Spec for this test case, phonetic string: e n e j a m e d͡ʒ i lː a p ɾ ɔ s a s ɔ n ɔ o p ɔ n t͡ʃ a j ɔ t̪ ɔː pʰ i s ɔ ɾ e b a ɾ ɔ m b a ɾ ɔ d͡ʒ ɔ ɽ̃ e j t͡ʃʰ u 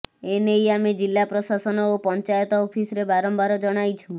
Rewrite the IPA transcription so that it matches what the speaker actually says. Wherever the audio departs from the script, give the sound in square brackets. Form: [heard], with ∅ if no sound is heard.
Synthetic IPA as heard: e n e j a m e d͡ʒ i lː a p ɾ ɔ s a s ɔ n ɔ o p ɔ n t͡ʃ a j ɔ t̪ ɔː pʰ i s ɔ ɾ e b a ɾ ɔ m b a ɾ ɔ d͡ʒ ɔ ɽ̃ [a] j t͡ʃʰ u